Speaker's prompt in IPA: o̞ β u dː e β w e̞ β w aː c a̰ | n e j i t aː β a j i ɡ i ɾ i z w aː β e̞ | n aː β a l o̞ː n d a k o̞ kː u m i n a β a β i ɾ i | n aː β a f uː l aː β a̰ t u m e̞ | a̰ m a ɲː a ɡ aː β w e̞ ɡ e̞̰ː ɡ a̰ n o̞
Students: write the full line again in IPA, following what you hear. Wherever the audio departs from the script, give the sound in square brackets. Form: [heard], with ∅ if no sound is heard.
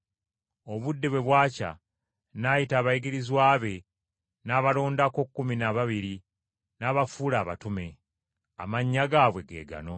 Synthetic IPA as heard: o̞ β u dː e β w e̞ β w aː c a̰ | n [a] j i t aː β a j i ɡ i ɾ i z w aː β e̞ | n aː β a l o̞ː n d a k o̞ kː u m i n a β a β i ɾ i | n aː β a f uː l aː β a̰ t u m e̞ | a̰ m a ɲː a ɡ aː β w e̞ ɡ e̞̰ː ɡ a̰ n o̞